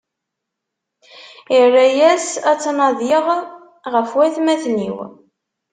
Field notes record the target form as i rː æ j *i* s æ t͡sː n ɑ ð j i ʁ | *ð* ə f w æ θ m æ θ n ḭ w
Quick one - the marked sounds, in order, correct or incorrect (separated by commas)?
incorrect, incorrect